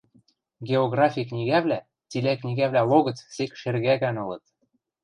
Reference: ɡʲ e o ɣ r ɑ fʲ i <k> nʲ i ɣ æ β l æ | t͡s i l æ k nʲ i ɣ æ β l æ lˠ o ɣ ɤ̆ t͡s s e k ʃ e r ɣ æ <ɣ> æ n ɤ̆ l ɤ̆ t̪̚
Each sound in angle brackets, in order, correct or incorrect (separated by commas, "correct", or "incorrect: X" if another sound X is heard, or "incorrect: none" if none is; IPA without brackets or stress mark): correct, correct